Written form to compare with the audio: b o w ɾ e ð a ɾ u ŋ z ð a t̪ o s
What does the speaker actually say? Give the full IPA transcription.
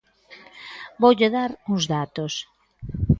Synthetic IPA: b o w ʎ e ð a ɾ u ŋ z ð a t̪ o s